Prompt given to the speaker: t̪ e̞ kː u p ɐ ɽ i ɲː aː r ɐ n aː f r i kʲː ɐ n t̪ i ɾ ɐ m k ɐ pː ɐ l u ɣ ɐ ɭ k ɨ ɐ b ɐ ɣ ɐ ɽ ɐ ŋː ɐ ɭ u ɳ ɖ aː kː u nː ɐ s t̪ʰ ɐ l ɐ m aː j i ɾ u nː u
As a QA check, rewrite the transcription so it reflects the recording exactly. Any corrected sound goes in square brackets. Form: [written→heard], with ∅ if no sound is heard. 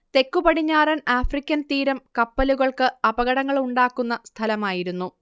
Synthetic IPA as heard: t̪ e̞ kː u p ɐ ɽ i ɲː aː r ɐ n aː f r i kʲː ɐ n t̪ [i→iː] ɾ ɐ m k ɐ pː ɐ l u ɣ ɐ ɭ k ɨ ɐ b ɐ ɣ ɐ ɽ ɐ ŋː ɐ ɭ u ɳ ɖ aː kː u nː ɐ s t̪ʰ ɐ l ɐ m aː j i ɾ u nː u